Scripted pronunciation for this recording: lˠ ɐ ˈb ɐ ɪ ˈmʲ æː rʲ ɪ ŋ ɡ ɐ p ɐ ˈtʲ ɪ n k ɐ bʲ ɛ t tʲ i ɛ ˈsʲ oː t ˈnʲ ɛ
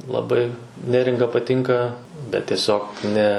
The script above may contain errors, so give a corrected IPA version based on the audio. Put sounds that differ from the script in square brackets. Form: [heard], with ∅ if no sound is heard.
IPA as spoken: lˠ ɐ ˈb ɐ ɪ [ˈnʲ] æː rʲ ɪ ŋ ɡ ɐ p ɐ ˈtʲ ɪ [ŋ] k ɐ bʲ ɛ t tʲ i ɛ ˈsʲ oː [k] ˈnʲ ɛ